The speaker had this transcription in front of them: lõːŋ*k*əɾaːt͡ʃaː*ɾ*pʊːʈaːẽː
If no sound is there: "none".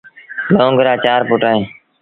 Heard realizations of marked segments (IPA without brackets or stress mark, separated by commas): ɡ, ɾ